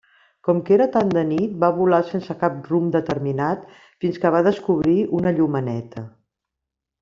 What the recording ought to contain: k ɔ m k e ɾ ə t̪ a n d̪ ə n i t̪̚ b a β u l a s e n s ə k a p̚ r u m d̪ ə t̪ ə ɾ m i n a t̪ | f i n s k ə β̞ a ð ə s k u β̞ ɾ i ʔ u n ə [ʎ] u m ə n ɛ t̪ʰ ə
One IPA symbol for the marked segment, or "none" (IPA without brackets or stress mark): ʎ